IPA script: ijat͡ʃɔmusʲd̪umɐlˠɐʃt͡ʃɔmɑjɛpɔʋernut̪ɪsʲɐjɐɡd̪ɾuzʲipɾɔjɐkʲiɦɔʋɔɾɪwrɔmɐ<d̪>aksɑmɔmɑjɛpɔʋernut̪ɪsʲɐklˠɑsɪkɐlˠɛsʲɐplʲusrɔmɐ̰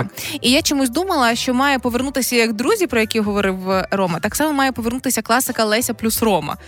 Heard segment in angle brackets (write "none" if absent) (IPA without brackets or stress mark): t̪